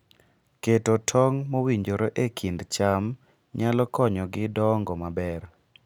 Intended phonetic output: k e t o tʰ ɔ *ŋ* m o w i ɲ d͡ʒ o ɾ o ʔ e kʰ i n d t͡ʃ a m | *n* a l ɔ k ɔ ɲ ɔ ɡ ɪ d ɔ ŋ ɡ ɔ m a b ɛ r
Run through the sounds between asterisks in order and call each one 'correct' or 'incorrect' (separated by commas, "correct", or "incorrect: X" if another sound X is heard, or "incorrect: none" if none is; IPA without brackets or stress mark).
correct, incorrect: ɲ